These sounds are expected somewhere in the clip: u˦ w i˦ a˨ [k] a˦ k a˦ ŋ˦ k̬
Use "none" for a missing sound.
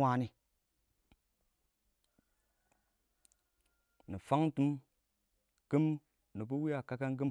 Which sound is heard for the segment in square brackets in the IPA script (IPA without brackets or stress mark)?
k